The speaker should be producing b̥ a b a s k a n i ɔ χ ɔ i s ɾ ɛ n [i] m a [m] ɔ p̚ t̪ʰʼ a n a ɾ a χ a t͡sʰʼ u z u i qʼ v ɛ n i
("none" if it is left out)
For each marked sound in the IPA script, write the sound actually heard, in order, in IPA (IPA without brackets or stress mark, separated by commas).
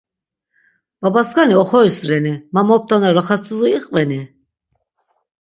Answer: i, m